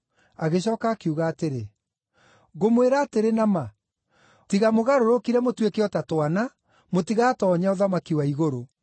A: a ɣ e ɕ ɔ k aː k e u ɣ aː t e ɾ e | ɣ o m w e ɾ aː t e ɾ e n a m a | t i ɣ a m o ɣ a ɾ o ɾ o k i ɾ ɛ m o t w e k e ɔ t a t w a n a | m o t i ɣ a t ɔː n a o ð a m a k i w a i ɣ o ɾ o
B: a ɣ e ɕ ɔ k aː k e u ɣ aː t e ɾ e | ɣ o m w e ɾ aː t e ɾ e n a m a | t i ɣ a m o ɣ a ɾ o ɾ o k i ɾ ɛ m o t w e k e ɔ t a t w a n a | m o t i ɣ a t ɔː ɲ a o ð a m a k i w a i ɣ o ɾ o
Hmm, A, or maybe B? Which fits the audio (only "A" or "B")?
B